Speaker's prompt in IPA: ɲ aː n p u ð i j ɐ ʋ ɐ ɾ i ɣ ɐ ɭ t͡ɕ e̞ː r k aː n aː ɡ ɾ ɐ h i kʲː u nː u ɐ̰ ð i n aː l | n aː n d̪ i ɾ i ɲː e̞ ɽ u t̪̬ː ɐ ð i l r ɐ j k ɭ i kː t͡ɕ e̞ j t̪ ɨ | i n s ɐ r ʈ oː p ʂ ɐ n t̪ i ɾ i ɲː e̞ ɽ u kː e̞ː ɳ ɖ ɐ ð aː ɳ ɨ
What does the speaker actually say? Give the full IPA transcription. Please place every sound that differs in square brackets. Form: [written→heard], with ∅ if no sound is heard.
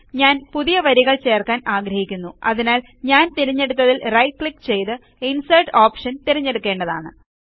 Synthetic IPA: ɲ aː n p u ð i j ɐ ʋ ɐ ɾ i ɣ ɐ ɭ t͡ɕ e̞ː r k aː n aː ɡ ɾ ɐ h i kʲː u nː u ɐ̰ ð i n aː l | [n→ɲ] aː n [d̪→t̪] i ɾ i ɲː e̞ ɽ u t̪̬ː ɐ ð i l r ɐ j k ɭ i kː t͡ɕ e̞ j t̪ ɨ | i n s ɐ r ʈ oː p ʂ ɐ n t̪ i ɾ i ɲː e̞ ɽ u kː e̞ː ɳ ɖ ɐ ð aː ɳ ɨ